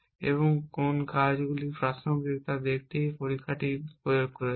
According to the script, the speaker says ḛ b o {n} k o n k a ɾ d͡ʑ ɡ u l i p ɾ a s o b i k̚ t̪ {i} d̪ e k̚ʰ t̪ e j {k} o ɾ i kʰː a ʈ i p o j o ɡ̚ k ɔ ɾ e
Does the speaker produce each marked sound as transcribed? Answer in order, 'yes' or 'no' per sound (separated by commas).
no, no, no